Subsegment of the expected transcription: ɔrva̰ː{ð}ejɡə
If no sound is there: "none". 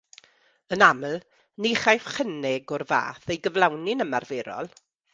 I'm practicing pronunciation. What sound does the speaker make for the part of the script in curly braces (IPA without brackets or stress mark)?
θ